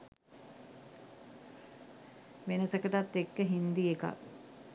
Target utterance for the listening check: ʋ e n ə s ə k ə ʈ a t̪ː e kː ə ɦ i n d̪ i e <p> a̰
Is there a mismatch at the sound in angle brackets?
yes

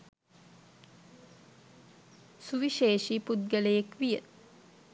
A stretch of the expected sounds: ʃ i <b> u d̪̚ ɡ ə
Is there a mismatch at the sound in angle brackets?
yes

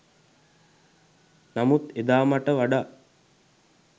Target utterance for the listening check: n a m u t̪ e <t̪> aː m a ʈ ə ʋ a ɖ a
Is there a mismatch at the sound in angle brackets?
yes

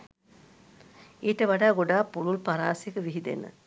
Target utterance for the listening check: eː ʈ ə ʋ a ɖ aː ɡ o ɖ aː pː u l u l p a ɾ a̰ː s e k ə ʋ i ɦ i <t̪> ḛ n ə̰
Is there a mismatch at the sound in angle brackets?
yes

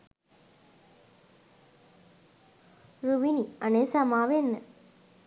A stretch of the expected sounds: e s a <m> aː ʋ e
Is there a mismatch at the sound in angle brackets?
no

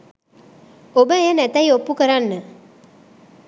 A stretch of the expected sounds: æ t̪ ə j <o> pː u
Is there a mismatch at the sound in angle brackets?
no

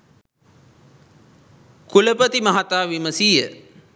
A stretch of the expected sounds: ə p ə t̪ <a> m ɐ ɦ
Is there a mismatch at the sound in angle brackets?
yes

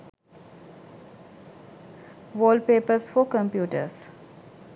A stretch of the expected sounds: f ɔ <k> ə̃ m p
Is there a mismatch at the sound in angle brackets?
no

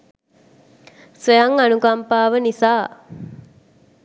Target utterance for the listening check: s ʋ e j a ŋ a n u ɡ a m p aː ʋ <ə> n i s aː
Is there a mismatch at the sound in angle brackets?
no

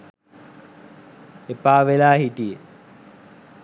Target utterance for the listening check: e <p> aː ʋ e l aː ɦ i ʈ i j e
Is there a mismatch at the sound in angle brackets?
no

